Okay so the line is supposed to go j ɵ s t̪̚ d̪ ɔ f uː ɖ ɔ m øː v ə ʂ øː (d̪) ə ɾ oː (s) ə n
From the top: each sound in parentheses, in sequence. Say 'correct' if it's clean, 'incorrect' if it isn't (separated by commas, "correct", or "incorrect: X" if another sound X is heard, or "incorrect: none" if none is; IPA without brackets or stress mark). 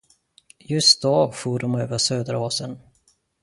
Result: correct, correct